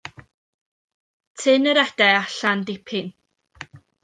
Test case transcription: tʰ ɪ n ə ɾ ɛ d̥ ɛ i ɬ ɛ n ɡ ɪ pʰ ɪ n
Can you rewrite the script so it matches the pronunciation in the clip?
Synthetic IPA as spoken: tʰ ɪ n ə ɾ ɛ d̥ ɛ a ɬ a n d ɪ pʰ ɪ n